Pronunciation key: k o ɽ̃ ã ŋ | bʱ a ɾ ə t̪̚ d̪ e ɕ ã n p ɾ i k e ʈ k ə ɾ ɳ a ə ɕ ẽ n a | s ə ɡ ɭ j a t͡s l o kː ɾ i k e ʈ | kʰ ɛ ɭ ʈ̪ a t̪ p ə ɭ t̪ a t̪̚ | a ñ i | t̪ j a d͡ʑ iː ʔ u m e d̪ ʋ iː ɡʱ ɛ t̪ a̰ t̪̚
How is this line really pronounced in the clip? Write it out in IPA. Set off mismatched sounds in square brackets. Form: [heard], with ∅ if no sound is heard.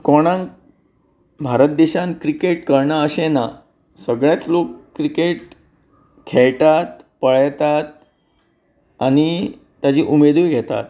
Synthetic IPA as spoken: k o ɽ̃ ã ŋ | bʱ a ɾ ə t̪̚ d̪ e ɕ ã n [k] ɾ i k e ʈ k ə ɾ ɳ a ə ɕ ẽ n a | s ə ɡ ɭ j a t͡s l o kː ɾ i k e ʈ | kʰ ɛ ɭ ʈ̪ a t̪ p ə ɭ t̪ a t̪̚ | a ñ i | t̪ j a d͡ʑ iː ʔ u m e d̪ ʋ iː ɡʱ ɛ t̪ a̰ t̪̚